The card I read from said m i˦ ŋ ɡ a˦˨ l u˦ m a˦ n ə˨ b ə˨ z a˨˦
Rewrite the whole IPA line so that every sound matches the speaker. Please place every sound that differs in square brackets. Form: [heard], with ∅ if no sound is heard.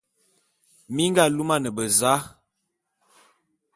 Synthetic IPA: m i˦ ŋ ɡ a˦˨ l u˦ m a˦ n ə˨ b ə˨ z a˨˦